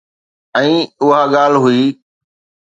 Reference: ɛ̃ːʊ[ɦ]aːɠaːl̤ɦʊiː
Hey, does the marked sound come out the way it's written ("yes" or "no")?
yes